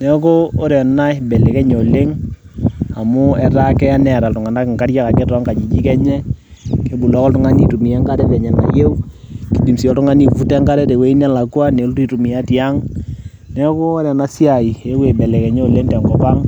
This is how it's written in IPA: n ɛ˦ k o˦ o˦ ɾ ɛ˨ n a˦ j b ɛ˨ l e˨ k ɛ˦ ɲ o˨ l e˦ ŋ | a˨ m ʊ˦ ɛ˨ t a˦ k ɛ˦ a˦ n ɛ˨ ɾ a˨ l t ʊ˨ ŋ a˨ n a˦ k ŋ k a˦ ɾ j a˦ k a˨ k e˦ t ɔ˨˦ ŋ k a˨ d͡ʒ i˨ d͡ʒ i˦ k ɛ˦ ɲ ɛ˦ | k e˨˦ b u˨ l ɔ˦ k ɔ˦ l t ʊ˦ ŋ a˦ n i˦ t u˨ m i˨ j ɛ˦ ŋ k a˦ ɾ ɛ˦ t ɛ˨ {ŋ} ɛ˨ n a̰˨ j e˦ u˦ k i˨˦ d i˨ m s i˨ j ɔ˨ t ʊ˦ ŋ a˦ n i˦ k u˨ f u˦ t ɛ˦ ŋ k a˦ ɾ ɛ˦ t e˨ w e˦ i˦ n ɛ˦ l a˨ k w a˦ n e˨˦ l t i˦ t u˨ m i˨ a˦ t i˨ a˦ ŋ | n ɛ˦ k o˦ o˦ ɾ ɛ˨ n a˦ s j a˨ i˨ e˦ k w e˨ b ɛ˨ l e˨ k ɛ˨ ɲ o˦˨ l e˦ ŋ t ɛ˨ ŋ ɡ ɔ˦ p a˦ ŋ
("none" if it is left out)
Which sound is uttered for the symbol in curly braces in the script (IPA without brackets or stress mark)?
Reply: ɲ